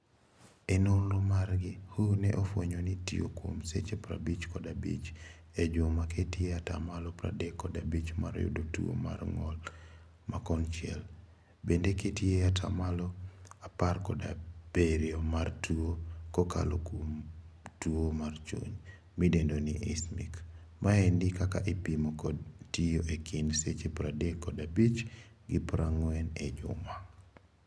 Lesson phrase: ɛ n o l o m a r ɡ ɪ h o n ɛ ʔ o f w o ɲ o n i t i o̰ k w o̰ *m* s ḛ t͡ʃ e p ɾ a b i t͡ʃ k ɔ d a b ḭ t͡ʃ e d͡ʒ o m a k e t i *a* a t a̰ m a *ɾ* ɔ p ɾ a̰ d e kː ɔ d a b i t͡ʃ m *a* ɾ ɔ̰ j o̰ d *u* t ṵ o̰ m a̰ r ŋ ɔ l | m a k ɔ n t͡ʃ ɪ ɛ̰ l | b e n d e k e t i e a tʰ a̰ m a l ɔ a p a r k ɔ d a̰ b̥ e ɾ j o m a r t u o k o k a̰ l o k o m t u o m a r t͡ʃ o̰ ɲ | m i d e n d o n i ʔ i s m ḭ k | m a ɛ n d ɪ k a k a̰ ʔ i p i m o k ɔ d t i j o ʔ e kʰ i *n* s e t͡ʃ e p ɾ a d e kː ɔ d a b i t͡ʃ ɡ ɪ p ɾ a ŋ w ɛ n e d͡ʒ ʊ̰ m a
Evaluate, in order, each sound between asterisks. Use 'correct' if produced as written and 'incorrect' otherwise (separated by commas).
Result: correct, incorrect, incorrect, correct, incorrect, correct